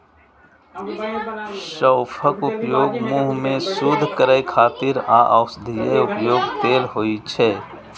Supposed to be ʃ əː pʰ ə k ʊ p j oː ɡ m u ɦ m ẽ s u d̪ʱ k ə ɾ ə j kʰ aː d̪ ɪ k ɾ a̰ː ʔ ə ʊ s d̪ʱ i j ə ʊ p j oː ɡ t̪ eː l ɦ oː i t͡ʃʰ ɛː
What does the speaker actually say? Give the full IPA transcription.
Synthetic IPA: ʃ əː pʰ ə k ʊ p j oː ɡ m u ɦ m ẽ s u d̪ʱ k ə ɾ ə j kʰ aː t̪ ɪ ɾ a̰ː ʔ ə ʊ s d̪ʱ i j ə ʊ p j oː ɡ t̪ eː l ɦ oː i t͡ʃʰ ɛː